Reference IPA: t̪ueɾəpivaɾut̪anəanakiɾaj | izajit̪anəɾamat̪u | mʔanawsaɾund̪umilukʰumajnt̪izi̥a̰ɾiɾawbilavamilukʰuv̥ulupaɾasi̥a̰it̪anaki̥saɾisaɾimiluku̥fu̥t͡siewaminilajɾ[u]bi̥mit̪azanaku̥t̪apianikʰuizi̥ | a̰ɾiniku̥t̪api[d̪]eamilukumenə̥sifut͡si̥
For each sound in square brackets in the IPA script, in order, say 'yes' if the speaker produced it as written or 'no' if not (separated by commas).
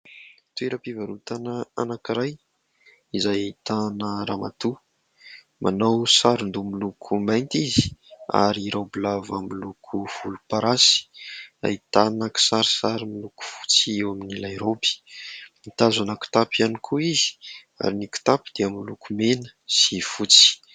no, yes